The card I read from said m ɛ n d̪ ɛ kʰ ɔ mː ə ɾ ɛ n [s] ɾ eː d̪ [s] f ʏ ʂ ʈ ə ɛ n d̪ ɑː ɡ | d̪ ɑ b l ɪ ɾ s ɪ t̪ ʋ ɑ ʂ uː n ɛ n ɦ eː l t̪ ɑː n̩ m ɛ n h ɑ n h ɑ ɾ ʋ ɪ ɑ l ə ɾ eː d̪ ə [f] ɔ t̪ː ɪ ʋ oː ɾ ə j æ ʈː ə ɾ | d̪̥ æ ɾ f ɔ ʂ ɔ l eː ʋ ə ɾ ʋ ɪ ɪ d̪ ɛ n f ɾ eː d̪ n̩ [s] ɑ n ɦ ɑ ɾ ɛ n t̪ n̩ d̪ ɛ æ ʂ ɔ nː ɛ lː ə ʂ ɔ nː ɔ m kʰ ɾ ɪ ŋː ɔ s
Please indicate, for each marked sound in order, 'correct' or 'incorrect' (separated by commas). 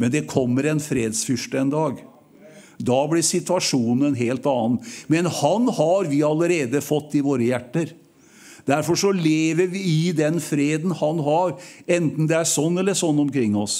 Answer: incorrect, correct, correct, incorrect